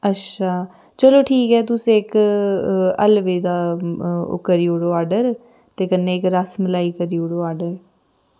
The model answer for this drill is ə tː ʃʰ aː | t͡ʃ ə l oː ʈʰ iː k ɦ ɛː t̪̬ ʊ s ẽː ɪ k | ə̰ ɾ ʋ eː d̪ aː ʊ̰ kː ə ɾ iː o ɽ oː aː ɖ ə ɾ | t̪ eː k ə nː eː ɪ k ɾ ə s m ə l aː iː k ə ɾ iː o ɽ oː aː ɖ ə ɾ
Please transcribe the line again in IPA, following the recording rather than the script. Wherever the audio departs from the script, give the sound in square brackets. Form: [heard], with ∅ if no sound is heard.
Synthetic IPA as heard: ə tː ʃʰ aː | t͡ʃ ə l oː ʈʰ iː k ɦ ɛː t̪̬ ʊ s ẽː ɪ k | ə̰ [l] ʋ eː d̪ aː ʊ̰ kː ə ɾ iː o ɽ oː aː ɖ ə ɾ | t̪ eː k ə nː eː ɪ k ɾ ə s m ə l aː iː k ə ɾ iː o ɽ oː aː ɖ ə ɾ